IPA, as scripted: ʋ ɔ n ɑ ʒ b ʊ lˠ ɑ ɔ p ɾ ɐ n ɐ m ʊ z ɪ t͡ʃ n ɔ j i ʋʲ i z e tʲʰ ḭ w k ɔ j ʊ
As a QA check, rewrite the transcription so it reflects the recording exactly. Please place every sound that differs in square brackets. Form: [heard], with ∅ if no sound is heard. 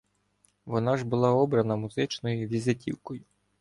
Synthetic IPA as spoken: ʋ ɔ n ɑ ʒ b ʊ lˠ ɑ ɔ [b] ɾ ɐ n ɐ m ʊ z ɪ t͡ʃ n ɔ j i ʋʲ i z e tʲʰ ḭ w k ɔ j ʊ